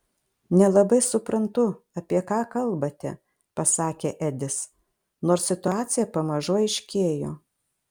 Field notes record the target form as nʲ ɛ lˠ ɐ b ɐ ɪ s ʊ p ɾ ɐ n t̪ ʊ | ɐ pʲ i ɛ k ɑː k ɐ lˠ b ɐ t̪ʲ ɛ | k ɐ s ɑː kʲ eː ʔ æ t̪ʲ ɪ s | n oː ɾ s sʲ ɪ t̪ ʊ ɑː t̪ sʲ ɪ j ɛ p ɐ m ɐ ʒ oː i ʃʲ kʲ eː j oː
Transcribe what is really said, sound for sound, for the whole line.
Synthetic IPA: nʲ ɛ lˠ ɐ b ɐ ɪ s ʊ p ɾ ɐ n t̪ ʊ | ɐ pʲ i ɛ k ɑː k ɐ lˠ b ɐ t̪ʲ ɛ | p ɐ s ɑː kʲ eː ʔ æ d̪ʲ ɪ s | n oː ɾ s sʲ ɪ t̪ ʊ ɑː t̪ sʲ ɪ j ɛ p ɐ m ɐ ʒ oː ɪ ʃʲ kʲ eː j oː